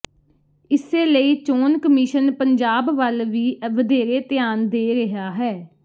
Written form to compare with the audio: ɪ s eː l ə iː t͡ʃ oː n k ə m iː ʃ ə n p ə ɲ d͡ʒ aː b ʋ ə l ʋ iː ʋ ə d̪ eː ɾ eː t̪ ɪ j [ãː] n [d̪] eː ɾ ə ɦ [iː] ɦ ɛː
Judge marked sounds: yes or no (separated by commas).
no, yes, no